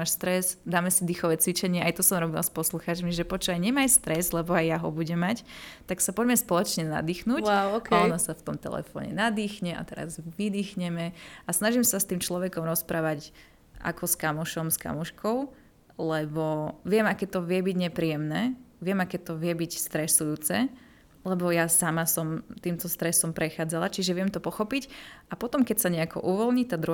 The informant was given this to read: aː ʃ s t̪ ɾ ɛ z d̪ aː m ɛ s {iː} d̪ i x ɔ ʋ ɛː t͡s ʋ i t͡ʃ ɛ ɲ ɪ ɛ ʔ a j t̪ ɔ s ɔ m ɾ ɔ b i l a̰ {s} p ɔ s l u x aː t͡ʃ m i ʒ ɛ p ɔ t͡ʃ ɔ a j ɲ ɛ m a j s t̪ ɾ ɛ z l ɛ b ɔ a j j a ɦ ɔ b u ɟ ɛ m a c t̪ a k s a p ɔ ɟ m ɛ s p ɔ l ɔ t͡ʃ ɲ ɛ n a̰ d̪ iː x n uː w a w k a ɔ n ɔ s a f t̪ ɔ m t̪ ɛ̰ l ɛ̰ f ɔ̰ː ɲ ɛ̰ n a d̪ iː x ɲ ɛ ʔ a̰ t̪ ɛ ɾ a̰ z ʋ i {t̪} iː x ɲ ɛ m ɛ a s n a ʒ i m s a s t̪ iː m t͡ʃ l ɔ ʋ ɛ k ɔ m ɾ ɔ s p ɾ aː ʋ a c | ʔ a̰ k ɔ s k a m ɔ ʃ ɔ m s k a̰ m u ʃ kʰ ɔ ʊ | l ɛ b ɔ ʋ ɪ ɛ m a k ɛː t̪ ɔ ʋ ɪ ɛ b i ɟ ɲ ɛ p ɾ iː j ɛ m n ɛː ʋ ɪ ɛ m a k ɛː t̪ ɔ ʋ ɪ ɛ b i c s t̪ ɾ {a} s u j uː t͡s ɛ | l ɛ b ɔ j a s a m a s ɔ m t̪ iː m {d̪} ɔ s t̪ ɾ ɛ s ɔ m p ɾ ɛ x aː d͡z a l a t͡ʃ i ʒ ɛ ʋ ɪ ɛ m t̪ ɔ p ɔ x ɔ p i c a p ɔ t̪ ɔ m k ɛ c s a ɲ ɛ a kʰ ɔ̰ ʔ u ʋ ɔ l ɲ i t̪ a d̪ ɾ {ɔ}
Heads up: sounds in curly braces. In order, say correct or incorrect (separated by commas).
incorrect, correct, incorrect, incorrect, incorrect, incorrect